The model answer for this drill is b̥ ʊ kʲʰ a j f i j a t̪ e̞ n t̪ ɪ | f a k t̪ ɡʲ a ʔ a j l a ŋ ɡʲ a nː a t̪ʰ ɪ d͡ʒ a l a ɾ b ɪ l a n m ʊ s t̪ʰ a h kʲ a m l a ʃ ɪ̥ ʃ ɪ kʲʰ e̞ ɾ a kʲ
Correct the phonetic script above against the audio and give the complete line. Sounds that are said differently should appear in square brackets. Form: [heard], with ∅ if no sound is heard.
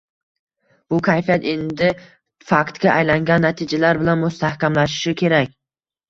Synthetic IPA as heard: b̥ ʊ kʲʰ a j f i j a t̪ e̞ n [d̪] ɪ | f a k t̪ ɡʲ a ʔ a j l a ŋ ɡʲ a nː a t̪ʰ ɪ d͡ʒ a l a ɾ b ɪ l a n m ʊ s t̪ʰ a h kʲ a m l a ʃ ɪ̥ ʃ ɪ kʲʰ e̞ ɾ a kʲ